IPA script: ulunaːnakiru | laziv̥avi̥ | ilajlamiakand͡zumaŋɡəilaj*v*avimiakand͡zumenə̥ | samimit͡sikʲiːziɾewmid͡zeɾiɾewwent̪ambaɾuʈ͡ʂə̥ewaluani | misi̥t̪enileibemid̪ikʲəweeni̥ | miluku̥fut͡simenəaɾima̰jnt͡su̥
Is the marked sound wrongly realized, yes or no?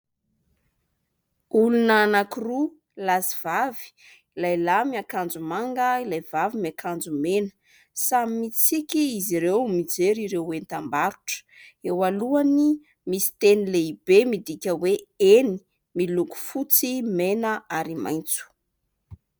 no